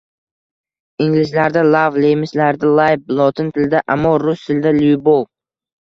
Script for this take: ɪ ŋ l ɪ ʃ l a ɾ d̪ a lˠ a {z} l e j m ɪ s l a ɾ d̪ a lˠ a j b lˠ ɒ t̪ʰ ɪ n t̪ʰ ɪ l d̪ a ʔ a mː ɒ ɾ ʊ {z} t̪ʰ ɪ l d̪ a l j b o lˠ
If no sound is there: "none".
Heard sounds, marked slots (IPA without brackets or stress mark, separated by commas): v, s